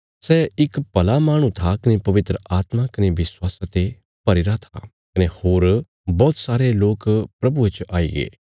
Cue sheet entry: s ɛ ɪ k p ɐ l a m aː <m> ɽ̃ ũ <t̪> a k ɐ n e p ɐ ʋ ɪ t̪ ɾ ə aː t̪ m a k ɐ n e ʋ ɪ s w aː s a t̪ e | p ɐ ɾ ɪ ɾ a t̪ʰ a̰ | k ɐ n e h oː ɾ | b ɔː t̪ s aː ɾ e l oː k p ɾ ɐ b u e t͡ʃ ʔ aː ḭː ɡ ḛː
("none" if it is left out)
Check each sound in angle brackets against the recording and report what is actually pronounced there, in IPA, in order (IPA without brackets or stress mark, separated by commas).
none, t̪ʰ